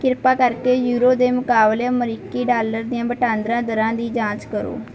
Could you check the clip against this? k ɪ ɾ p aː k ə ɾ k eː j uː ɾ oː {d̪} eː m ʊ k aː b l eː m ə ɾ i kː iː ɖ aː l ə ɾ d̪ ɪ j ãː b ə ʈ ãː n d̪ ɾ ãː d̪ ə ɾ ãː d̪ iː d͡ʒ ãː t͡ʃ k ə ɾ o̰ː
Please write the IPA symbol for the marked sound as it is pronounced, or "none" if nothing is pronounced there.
d̪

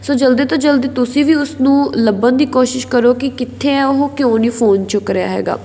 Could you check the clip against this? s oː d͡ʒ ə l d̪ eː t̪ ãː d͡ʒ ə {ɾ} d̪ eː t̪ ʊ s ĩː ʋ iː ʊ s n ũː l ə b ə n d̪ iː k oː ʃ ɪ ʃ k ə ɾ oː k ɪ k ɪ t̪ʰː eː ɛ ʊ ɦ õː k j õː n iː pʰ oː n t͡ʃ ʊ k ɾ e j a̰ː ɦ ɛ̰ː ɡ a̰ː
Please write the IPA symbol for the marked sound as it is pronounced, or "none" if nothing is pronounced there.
l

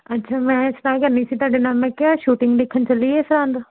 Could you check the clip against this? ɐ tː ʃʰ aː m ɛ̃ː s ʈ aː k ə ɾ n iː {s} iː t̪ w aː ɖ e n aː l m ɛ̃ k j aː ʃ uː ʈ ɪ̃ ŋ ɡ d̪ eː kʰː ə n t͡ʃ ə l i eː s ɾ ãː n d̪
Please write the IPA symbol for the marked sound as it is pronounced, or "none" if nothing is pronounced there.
s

